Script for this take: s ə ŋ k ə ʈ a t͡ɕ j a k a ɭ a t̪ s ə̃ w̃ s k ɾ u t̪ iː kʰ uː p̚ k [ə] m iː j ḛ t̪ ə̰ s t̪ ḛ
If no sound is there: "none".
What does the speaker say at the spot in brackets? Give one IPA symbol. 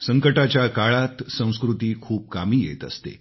a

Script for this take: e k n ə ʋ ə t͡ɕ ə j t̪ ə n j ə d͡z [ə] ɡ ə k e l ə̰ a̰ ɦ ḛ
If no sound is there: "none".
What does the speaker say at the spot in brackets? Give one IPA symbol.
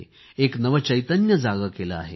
a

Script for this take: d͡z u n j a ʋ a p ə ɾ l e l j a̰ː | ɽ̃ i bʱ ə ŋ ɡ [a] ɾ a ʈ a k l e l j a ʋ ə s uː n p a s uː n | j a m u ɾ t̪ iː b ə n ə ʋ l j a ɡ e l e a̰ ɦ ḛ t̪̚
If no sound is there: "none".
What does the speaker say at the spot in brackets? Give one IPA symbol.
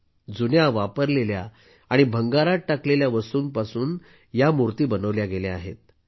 a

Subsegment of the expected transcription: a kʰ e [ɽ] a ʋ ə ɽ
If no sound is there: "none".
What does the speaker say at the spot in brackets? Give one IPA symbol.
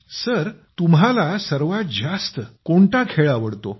ɭ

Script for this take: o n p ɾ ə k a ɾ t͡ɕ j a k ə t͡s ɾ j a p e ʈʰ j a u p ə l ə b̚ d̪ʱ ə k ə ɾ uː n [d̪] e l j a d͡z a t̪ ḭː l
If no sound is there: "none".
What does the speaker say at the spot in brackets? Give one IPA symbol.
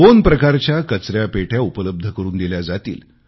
d̪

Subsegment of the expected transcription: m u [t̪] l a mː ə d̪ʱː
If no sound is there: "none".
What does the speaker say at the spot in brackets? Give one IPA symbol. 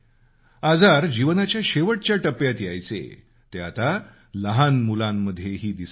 none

